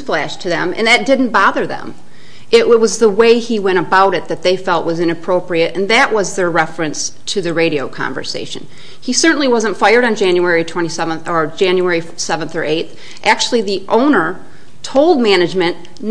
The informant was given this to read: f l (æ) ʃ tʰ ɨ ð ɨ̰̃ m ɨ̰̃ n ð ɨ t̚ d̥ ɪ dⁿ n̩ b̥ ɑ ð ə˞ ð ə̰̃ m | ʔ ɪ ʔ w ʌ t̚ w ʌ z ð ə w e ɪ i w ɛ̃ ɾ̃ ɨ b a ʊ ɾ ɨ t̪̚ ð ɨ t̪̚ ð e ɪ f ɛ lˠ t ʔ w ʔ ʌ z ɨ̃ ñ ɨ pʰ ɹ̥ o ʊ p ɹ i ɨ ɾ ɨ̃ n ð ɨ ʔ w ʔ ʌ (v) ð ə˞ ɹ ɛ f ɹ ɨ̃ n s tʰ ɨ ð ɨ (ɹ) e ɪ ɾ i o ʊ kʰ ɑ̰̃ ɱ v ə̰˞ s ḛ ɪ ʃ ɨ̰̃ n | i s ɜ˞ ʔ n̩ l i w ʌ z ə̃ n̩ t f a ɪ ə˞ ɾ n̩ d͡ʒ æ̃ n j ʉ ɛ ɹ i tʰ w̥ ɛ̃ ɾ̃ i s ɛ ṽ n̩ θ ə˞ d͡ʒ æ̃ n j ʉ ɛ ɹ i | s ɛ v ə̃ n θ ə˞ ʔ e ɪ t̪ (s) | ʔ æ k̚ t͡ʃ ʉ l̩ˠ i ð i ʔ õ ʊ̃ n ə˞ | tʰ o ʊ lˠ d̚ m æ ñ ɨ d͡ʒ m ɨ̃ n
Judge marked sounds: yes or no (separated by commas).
yes, no, yes, no